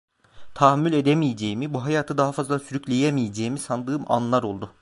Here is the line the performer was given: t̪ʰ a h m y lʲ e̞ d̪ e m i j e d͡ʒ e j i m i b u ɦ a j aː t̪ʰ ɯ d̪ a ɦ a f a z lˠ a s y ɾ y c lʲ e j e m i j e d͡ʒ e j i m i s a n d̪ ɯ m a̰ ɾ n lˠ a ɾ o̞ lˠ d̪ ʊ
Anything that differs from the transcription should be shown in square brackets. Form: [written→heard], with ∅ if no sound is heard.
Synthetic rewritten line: t̪ʰ a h m y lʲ e̞ d̪ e m i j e d͡ʒ e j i m i b u ɦ a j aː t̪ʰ ɯ d̪ a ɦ a f a z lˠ a s y ɾ y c lʲ e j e m i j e d͡ʒ e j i m i s a n d̪ [ɯ→ɯː] m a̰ [ɾ→∅] n lˠ a ɾ o̞ lˠ d̪ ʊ

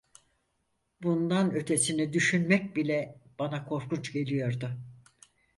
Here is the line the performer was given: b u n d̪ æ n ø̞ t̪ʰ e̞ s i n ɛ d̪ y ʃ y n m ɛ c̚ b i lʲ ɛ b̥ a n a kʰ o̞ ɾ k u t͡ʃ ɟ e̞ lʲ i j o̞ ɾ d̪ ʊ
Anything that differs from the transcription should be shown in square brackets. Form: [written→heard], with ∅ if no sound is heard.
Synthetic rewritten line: b u n d̪ [æ→a] n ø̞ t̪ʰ e̞ s i n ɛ d̪ y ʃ y n m ɛ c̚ b i lʲ ɛ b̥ a n a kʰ o̞ ɾ k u t͡ʃ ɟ e̞ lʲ i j o̞ ɾ d̪ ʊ

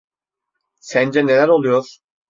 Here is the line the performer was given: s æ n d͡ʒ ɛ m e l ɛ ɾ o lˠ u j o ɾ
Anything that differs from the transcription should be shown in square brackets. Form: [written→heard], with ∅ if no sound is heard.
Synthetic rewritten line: s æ n d͡ʒ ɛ [m→n] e l [ɛ→æ] ɾ o lˠ u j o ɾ

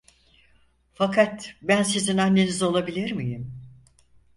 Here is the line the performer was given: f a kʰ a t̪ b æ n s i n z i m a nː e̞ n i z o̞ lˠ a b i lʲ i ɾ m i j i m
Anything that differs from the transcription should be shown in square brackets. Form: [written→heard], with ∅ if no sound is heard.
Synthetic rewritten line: f a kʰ a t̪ b æ n s i [n→∅] z i [m→n] a nː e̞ n i z o̞ lˠ a b i lʲ i ɾ m i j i m

